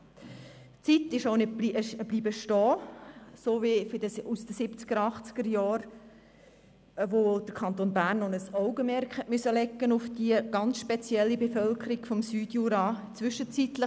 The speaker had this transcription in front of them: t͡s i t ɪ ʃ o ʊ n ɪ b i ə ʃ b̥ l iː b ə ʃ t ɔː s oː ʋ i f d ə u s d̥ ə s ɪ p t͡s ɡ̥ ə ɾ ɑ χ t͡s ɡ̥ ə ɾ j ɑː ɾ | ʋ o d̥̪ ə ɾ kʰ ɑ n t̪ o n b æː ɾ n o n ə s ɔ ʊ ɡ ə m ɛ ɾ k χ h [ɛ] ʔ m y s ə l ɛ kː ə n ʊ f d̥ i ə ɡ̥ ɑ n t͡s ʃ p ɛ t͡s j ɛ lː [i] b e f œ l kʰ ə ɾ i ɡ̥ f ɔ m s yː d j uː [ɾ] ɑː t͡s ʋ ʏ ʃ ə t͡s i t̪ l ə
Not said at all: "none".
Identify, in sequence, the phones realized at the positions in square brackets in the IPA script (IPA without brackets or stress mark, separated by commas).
ɛ, i, ɾ